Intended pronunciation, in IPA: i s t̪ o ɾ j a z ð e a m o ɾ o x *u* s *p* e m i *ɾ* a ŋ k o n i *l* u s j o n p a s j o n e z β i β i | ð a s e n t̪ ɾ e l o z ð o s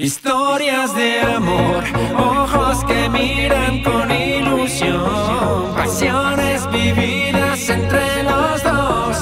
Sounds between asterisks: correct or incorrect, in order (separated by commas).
incorrect, incorrect, correct, correct